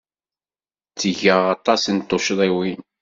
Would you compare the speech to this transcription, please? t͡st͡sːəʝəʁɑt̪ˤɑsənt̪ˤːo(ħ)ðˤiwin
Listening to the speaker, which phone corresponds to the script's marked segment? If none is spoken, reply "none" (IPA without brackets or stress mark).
ʃ